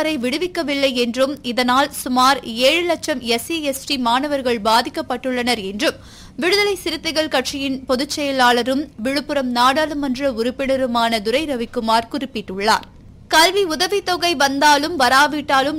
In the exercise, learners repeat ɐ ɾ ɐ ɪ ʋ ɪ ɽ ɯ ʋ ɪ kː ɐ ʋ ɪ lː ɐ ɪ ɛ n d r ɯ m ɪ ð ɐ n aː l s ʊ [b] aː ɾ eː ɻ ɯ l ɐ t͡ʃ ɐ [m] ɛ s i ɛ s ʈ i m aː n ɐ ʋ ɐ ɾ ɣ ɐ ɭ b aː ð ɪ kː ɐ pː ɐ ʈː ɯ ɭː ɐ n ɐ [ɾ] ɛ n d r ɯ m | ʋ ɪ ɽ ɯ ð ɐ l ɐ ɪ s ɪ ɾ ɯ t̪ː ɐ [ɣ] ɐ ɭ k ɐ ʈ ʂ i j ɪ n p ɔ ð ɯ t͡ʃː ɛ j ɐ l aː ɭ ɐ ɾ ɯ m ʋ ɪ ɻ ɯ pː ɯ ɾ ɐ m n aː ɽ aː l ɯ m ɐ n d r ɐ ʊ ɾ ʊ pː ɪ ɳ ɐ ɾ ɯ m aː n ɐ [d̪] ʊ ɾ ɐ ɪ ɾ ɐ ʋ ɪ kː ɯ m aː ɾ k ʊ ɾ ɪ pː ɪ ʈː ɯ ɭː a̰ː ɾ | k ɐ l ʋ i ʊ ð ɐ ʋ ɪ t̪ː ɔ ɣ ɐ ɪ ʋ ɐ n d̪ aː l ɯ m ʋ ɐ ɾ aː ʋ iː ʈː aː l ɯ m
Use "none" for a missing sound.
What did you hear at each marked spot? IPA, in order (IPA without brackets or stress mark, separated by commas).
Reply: m, m, ɾ, ɣ, d̪